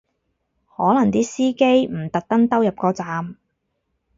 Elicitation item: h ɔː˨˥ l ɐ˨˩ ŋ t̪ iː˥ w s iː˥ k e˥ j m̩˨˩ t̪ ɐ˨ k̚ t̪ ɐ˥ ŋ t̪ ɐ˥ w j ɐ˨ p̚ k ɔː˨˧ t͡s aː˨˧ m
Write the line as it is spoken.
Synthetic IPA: h ɔː˨˥ l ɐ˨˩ ŋ t̪ iː˥ s iː˥ k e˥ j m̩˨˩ t̪ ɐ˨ k̚ t̪ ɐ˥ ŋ t̪ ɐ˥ w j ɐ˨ p̚ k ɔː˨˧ t͡s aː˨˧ m